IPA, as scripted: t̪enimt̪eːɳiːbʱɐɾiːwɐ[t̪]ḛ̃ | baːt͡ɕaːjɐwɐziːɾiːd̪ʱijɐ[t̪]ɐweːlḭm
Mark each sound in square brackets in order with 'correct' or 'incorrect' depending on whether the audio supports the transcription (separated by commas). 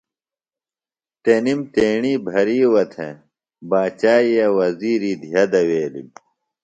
incorrect, incorrect